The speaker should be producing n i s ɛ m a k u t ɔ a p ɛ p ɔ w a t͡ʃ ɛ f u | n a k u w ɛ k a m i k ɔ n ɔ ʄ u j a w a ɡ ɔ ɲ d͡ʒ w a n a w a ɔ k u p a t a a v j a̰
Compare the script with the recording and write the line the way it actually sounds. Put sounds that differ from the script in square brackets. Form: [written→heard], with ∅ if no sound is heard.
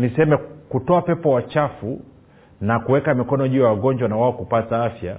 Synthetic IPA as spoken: n i s ɛ m [a→ɛ] k u t ɔ a p ɛ p ɔ w a t͡ʃ [ɛ→a] f u | n a k u w ɛ k a m i k ɔ n ɔ ʄ u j a w a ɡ ɔ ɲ d͡ʒ w a n a w a ɔ k u p a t a a [v→f] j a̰